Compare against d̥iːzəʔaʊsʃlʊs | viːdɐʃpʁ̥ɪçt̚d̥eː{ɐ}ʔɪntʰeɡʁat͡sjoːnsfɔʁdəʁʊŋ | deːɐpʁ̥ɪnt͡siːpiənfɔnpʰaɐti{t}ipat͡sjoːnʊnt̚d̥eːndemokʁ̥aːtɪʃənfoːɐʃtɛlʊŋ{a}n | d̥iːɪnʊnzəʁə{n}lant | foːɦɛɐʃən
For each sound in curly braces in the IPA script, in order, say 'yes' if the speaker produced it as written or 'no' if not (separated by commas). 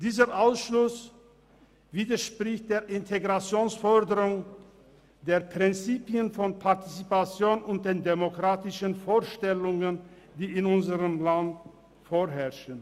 yes, no, no, no